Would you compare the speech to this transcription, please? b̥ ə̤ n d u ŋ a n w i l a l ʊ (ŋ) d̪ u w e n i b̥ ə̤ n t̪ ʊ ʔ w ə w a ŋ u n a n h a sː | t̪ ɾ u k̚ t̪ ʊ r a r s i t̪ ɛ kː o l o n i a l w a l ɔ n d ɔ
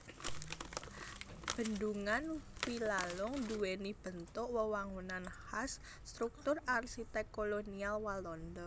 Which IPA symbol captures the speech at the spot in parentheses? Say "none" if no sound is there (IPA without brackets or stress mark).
ŋ